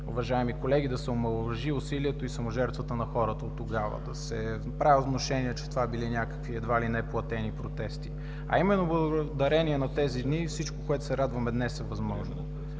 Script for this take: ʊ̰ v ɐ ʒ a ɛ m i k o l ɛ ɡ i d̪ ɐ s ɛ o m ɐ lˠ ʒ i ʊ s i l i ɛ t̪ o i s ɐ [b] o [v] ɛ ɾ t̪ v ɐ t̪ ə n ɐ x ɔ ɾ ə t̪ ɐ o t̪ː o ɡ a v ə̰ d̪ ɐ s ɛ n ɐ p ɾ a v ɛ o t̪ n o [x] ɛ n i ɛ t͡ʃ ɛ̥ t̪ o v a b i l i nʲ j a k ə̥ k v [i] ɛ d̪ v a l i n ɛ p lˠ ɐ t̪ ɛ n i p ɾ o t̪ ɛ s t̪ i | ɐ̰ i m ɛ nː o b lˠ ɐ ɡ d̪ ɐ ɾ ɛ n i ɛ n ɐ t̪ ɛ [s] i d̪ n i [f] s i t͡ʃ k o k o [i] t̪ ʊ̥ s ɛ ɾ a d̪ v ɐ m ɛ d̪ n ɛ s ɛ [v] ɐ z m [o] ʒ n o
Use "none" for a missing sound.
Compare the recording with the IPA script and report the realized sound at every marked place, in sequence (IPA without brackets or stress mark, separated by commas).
m, ʒ, ʃ, i, z, f, ɛ, v, ɔ